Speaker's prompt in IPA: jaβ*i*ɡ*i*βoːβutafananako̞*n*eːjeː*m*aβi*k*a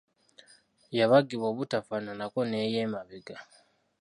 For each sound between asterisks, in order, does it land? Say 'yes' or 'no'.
no, yes, yes, yes, no

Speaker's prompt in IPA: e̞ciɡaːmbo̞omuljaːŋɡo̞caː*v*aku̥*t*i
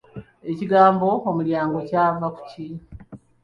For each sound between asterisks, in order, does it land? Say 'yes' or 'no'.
yes, no

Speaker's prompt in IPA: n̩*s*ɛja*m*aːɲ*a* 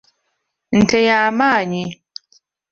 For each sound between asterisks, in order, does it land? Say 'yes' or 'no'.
no, yes, no

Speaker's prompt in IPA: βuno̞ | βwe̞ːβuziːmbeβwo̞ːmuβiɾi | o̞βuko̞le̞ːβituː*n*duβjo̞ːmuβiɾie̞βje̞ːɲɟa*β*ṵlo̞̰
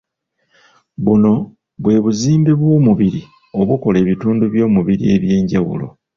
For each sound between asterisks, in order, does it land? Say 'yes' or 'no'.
yes, no

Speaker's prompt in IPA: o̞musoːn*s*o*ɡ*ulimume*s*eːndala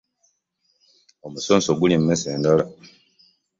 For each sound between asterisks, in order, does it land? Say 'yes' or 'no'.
yes, yes, yes

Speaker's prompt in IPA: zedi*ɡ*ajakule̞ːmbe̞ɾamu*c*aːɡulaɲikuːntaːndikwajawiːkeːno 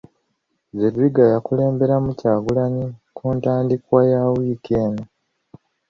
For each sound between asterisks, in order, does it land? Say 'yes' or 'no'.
yes, yes

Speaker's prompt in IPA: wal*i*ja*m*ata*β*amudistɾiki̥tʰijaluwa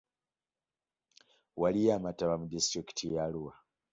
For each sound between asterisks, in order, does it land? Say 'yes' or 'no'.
yes, yes, yes

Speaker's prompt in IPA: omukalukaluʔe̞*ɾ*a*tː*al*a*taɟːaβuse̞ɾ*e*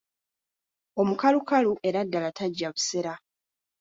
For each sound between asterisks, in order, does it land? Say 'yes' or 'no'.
yes, no, yes, no

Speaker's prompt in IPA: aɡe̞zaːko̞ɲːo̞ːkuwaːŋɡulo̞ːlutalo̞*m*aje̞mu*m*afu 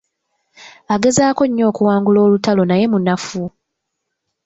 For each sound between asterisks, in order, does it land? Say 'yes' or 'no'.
no, no

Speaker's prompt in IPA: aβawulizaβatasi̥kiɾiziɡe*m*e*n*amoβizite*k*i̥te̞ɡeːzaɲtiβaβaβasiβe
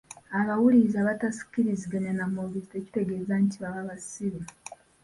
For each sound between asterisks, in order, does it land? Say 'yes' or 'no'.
no, yes, no

